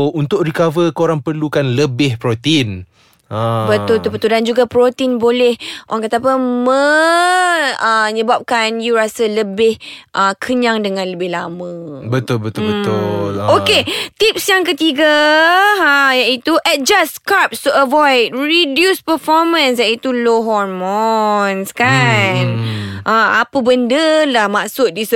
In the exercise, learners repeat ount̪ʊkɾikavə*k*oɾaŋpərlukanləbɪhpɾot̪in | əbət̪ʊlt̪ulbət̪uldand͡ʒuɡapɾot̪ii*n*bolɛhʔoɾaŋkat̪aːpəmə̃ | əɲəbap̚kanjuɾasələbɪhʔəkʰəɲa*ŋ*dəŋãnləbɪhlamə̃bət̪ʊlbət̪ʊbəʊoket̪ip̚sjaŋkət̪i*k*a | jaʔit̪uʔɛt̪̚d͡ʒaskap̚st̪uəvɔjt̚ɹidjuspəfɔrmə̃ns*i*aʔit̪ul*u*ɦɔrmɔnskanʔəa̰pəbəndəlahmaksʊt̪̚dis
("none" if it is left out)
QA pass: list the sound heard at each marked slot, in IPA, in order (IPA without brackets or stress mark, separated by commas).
k, n, ŋ, ɡ, j, o